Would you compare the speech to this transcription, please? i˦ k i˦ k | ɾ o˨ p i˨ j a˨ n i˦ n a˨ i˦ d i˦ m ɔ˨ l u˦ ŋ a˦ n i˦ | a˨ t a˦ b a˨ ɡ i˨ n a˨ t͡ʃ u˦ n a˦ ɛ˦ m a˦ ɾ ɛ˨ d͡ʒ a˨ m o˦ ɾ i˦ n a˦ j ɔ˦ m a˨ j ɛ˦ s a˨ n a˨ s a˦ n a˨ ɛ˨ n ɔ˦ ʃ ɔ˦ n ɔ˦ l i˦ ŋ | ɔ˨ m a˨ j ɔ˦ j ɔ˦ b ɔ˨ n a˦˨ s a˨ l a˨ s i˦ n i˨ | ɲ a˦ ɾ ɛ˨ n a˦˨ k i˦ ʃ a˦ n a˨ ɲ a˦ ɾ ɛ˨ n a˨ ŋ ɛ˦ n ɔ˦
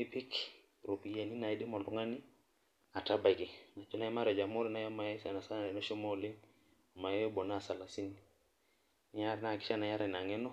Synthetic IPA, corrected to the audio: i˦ p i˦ k | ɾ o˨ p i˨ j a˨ n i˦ n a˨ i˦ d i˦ m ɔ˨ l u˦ ŋ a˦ n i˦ | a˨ t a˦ b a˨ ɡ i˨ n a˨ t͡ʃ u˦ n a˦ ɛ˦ m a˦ ɾ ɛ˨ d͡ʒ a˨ m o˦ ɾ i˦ n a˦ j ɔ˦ m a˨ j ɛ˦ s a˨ n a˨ s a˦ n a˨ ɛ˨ n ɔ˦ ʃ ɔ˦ m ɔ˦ l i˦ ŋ | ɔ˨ m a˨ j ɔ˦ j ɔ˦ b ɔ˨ n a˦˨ s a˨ l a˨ s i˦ n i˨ | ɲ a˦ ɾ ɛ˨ n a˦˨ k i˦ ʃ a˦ n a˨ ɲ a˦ ɾ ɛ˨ n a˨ ŋ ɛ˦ n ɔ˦